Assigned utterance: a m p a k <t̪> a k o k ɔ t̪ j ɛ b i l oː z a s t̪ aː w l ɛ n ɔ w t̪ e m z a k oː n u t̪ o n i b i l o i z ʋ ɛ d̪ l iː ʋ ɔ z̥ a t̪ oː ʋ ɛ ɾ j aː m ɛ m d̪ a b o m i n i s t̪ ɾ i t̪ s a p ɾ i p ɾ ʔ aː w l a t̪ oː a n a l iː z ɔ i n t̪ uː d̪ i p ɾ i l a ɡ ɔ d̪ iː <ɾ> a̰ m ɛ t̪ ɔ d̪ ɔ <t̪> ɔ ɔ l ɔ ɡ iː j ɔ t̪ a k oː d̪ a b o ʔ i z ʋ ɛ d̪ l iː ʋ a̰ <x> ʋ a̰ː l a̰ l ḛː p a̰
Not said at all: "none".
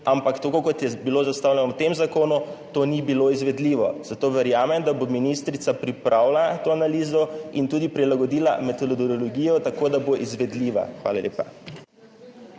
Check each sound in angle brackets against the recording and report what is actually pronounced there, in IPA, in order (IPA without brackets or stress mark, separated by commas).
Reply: t̪, l, d̪, x